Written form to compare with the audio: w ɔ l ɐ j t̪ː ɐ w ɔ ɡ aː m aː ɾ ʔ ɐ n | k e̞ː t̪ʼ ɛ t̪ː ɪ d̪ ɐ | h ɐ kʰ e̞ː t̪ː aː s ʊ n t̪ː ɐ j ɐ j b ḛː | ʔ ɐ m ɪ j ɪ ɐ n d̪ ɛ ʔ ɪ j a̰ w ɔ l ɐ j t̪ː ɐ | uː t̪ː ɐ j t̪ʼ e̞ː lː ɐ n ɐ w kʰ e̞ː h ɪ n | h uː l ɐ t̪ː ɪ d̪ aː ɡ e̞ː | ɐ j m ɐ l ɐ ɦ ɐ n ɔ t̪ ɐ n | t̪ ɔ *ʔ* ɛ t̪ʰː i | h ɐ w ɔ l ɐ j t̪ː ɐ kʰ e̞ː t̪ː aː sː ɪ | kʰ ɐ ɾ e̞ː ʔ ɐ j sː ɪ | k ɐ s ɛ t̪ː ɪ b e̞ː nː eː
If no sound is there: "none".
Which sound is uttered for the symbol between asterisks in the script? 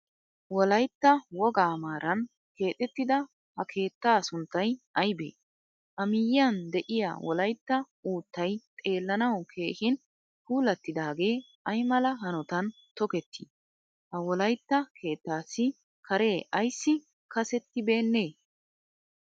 k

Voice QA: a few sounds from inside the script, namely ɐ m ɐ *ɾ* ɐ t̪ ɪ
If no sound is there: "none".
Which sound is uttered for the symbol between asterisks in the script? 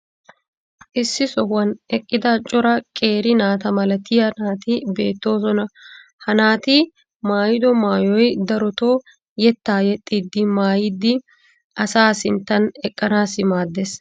l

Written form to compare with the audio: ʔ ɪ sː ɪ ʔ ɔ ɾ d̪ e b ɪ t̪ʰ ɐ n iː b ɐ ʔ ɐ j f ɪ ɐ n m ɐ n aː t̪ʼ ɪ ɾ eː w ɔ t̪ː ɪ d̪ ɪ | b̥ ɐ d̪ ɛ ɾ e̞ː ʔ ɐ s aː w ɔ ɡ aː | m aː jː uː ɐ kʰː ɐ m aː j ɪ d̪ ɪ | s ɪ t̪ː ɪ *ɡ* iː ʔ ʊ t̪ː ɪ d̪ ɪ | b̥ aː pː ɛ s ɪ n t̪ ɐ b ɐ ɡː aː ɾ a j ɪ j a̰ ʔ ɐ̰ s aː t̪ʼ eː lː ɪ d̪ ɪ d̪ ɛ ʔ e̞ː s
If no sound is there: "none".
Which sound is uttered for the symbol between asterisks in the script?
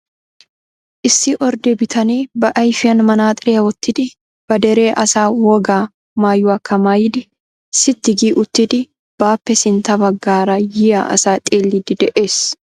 ɡ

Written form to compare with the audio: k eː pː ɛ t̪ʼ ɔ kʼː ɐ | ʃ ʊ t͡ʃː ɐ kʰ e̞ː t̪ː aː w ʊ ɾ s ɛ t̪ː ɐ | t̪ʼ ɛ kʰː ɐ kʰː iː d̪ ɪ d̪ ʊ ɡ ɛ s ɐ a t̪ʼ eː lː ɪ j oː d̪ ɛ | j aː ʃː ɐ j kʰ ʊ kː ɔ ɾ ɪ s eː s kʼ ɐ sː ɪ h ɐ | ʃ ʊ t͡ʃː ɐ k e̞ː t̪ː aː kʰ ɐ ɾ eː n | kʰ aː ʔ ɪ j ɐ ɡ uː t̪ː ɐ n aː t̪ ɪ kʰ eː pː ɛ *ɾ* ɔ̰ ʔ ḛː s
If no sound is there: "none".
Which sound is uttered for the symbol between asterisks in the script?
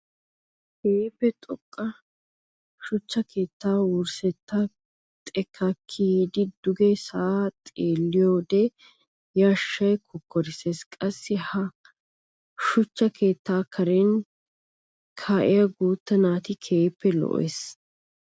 l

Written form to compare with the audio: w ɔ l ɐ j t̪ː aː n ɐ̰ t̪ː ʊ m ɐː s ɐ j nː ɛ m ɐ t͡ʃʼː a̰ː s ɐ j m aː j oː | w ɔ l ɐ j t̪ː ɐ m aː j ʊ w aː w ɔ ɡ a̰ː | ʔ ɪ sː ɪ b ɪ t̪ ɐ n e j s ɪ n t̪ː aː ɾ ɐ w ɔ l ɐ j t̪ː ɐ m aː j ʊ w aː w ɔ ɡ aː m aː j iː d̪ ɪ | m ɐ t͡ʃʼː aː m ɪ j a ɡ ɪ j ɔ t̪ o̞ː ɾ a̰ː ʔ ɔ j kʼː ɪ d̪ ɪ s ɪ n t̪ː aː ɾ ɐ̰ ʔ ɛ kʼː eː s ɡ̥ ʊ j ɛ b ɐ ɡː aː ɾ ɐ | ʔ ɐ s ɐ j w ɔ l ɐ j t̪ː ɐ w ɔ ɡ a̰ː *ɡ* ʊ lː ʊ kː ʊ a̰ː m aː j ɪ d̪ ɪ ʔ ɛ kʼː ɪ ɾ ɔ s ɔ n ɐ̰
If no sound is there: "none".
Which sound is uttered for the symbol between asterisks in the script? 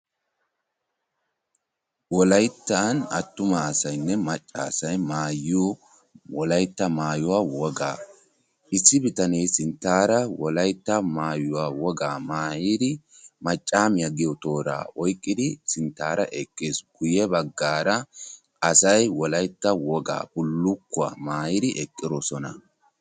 b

